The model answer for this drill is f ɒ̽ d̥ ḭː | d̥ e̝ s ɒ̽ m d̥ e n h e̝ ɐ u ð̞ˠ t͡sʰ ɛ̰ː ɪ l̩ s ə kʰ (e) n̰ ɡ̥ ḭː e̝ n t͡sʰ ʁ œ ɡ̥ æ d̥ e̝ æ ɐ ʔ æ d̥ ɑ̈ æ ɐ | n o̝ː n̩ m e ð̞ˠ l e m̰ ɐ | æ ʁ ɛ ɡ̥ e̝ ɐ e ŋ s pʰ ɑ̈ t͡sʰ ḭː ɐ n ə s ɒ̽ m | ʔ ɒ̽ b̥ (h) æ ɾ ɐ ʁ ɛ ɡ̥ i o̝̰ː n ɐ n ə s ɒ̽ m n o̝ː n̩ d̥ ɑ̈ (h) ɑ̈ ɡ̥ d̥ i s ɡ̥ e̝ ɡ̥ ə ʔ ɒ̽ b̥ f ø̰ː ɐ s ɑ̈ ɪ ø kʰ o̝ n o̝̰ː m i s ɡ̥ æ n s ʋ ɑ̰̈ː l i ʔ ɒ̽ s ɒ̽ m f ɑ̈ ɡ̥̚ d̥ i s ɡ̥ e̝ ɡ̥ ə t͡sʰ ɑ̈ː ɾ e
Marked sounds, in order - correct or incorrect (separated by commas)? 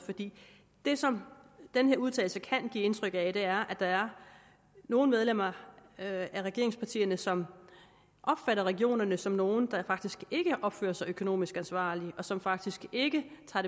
incorrect, incorrect, incorrect